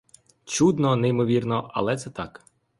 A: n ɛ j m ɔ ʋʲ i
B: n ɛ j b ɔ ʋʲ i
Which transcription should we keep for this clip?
A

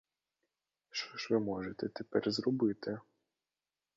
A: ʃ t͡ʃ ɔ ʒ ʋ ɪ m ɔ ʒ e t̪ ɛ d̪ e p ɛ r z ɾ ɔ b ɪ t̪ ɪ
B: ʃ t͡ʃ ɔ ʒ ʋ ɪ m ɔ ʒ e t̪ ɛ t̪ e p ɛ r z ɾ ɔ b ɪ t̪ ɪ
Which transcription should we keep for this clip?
B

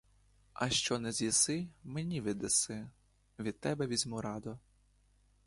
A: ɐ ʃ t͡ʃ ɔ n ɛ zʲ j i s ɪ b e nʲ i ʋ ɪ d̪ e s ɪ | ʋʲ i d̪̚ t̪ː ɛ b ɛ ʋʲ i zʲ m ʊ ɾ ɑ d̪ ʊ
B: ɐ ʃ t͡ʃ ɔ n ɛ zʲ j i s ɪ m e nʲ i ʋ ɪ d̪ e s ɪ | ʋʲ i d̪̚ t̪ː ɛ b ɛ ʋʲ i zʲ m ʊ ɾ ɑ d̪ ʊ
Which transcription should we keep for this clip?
B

